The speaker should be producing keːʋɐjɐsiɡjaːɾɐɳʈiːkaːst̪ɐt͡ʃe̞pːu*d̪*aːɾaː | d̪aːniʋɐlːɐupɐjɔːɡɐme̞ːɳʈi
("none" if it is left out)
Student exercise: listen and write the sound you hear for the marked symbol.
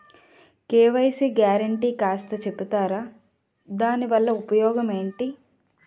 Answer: t̪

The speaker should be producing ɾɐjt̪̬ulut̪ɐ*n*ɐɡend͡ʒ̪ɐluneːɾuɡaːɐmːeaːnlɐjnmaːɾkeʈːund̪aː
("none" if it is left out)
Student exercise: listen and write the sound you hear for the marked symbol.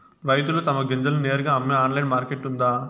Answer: m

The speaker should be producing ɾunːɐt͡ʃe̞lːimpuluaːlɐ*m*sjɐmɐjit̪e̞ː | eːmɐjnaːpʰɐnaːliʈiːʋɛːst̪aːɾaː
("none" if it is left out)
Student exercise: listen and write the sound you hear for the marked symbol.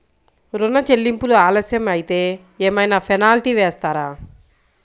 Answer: none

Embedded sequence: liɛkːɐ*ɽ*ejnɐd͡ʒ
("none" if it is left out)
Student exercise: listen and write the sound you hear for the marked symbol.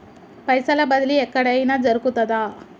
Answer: ɽ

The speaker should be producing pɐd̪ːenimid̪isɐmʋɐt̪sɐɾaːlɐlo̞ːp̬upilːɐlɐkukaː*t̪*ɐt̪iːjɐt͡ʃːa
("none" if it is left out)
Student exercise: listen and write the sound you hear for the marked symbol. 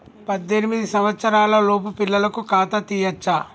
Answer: t̪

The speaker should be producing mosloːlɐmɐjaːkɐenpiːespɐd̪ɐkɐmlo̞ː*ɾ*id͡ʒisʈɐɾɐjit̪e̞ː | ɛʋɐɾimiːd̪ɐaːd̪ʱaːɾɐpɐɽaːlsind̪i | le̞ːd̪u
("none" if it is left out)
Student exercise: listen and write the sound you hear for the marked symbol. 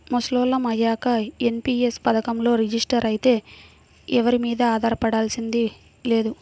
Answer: ɾ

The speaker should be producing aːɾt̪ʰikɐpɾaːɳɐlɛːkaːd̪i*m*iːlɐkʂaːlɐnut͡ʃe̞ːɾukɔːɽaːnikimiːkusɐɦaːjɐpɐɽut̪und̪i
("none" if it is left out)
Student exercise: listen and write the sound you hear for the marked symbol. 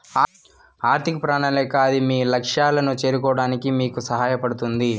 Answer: m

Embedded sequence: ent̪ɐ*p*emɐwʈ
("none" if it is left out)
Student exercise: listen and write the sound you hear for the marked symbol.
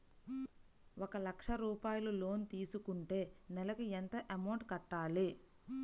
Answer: ʔ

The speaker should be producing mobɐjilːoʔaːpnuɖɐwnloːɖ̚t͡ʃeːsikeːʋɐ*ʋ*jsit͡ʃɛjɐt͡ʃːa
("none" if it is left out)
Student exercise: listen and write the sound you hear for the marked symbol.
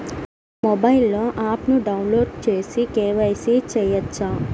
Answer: none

